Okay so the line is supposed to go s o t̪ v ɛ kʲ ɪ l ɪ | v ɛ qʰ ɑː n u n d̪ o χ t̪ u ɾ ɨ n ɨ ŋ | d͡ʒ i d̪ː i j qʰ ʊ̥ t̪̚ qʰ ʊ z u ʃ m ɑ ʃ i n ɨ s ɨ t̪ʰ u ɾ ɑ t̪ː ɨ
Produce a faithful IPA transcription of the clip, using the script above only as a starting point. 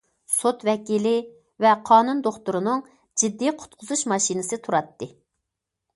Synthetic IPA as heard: s o t̪ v ɛ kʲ i l ɪ | v ɛ qʰ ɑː n u n d̪ o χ t̪ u ɾ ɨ n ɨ ŋ | d͡ʒ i d̪ː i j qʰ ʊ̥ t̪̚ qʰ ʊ z u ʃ m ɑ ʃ i n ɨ s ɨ t̪ʰ u ɾ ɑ t̪ː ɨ